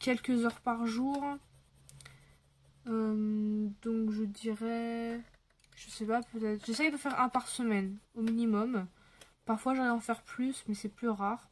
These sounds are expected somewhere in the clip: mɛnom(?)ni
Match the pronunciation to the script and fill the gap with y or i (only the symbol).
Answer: i